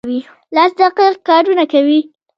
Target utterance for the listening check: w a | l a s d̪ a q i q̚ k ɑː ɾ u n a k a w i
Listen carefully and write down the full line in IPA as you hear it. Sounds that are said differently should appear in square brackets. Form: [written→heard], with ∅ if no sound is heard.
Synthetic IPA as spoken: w [a→i] | l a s d̪ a q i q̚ k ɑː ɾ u n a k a w i